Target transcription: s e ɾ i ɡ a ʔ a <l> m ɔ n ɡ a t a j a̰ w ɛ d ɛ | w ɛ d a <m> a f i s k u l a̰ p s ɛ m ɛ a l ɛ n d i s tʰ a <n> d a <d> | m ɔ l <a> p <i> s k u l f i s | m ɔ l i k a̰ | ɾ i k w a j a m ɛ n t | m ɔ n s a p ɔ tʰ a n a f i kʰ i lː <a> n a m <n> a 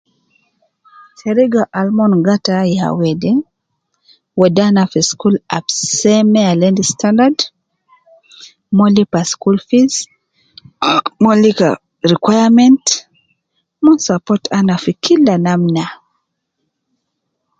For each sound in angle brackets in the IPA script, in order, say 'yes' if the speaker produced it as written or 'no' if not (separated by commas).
yes, no, yes, yes, no, no, yes, yes